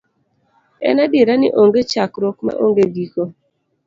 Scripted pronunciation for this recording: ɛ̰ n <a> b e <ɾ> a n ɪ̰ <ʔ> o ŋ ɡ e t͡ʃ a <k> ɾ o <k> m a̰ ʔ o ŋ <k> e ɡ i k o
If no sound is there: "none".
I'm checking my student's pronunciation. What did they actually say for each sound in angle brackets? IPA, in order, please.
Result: a, ɾ, ʔ, k, k, ɡ

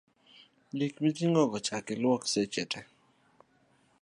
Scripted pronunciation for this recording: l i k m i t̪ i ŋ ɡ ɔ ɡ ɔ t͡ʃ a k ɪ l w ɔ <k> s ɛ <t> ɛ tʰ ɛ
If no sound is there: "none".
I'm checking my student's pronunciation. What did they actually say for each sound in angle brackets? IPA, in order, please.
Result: k, t͡ʃ

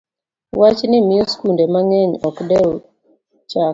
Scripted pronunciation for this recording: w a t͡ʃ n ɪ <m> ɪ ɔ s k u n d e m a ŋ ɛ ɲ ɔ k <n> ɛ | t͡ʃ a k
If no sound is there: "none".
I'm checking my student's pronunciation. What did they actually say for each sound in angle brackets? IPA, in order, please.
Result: m, d

